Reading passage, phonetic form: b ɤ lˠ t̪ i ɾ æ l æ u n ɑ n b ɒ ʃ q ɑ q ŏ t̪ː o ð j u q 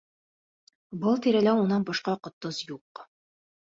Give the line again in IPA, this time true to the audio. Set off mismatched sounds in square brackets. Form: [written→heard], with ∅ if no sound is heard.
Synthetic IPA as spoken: b ɤ lˠ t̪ i ɾ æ l æ u n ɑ n b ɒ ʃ q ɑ q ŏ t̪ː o [ð→z] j u q

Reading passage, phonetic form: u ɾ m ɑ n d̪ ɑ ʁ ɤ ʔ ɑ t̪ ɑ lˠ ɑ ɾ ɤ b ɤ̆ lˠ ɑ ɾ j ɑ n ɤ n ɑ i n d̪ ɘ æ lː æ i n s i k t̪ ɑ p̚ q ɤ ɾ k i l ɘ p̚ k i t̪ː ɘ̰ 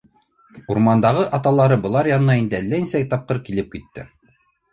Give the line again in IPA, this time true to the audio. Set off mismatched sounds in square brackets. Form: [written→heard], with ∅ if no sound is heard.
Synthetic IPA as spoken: u ɾ m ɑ n d̪ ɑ ʁ ɤ ʔ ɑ t̪ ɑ lˠ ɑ ɾ ɤ b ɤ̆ lˠ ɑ ɾ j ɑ n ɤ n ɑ i n d̪ ɘ æ lː æ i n s [i→æ] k t̪ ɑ p̚ q ɤ ɾ k i l ɘ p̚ k i t̪ː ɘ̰

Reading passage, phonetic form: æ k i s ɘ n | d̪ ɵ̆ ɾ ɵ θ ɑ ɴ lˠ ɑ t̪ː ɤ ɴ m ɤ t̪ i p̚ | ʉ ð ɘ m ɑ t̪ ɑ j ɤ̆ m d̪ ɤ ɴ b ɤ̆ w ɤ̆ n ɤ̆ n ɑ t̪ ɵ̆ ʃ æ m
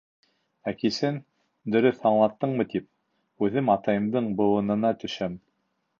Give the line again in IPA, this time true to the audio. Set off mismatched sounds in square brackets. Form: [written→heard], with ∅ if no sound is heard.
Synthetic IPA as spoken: æ k i s ɘ n | d̪ ɵ̆ ɾ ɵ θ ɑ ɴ lˠ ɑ t̪ː ɤ ɴ m ɤ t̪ i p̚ | ʉ ð ɘ m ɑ t̪ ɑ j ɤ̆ m d̪ ɤ ɴ b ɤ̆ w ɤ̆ n ɤ̆ n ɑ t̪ ɵ̆ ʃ æ m

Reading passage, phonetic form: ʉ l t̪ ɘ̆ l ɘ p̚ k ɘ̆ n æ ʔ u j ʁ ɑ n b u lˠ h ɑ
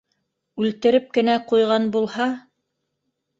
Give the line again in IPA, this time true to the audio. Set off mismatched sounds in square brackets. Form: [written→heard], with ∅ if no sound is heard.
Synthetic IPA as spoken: ʉ l t̪ ɘ̆ [l→ɾ] ɘ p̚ k ɘ̆ n æ [ʔ→q] u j ʁ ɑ n b u lˠ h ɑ

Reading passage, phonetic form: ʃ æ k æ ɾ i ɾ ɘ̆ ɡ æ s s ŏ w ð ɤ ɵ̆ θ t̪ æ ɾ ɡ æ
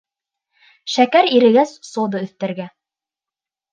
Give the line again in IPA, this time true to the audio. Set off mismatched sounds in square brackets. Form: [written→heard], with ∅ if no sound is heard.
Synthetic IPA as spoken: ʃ æ k æ ɾ i ɾ ɘ̆ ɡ æ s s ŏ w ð ɤ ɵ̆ θ t̪ æ ɾ ɡ æ

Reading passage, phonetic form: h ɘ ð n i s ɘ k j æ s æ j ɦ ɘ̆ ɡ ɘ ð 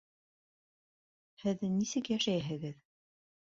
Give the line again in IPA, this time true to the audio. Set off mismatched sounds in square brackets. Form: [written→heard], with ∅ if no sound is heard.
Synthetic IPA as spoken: h ɘ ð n i s ɘ k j æ [s→ʃ] æ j ɦ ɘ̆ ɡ ɘ ð

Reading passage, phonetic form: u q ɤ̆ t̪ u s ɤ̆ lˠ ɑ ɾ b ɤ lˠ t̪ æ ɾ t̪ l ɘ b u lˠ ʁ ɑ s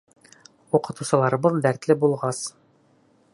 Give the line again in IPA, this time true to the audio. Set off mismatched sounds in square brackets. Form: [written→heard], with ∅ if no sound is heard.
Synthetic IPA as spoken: u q ɤ̆ t̪ u s ɤ̆ lˠ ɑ ɾ b ɤ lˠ [t̪→d̪] æ ɾ t̪ l ɘ b u lˠ ʁ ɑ s

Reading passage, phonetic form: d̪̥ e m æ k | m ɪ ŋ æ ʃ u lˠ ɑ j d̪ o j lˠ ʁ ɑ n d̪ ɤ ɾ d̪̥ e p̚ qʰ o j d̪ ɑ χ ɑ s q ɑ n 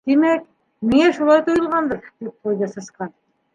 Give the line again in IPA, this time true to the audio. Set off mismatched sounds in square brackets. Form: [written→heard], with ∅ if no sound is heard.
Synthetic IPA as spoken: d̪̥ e m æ k | m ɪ ŋ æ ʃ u lˠ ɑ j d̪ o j lˠ ʁ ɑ n d̪ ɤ ɾ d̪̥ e p̚ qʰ o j d̪ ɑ [χ→s] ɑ s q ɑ n

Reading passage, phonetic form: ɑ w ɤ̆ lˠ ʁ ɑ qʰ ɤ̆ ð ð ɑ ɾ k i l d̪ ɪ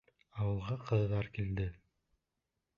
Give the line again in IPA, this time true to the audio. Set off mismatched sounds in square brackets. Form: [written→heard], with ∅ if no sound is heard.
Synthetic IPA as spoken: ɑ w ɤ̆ lˠ ʁ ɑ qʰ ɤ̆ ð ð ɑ ɾ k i l d̪ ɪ

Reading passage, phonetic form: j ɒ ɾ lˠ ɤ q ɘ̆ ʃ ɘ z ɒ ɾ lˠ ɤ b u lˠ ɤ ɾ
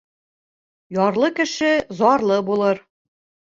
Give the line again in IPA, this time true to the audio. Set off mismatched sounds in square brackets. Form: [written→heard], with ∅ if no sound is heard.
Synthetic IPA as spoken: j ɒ ɾ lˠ ɤ [q→k] ɘ̆ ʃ ɘ z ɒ ɾ lˠ ɤ b u lˠ ɤ ɾ

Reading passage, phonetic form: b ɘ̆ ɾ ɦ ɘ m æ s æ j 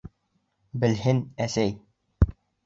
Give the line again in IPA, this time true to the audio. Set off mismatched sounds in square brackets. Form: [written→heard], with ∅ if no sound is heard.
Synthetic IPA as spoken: b ɘ̆ [ɾ→l] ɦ ɘ [m→n] æ s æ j

